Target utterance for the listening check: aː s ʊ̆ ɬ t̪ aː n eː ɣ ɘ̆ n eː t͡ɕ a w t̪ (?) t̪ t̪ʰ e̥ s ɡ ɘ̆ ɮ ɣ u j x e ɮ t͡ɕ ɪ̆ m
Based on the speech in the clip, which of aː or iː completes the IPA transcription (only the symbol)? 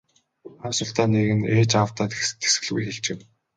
aː